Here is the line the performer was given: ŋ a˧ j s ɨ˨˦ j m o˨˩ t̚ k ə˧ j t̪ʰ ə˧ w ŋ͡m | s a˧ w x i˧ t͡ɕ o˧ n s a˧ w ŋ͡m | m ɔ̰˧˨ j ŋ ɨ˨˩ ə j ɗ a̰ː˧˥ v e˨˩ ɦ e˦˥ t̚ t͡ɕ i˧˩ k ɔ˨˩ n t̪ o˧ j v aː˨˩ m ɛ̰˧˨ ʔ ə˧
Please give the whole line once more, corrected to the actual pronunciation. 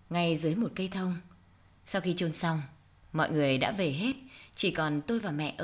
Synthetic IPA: ŋ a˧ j z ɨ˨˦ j m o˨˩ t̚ k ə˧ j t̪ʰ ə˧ w ŋ͡m | s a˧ w x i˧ t͡ɕ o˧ n s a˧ w ŋ͡m | m ɔ̰˧˨ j ŋ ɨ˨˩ ə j ɗ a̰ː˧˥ v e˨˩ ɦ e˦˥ t̚ t͡ɕ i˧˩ k ɔ˨˩ n t̪ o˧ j v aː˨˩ m ɛ̰˧˨ ʔ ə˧